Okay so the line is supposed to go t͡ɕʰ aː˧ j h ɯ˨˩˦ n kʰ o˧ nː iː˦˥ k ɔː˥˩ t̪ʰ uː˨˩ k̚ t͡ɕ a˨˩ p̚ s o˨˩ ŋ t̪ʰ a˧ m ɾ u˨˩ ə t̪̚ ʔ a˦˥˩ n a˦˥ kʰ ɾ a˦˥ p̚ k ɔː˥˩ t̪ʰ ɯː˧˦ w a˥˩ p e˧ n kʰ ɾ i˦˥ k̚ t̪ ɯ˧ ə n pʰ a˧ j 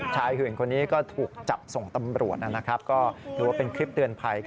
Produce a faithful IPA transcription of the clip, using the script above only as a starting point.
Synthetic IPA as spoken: t͡ɕʰ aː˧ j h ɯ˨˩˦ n kʰ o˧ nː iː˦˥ k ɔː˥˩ t̪ʰ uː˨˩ k̚ t͡ɕ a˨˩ p̚ s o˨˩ ŋ t̪ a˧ m ɾ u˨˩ ə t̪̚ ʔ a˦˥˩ n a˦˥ kʰ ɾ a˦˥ p̚ k ɔː˥˩ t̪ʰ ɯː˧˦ w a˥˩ p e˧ n kʰ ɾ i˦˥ p̚ t̪ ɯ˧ ə n pʰ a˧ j